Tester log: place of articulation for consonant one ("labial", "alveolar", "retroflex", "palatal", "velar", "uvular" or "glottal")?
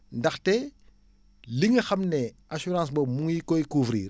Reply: alveolar